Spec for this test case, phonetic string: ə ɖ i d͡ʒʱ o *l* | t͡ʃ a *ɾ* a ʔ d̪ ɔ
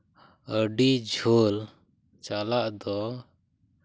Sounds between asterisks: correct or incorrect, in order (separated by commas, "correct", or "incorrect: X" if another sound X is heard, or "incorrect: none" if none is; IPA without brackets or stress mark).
correct, incorrect: l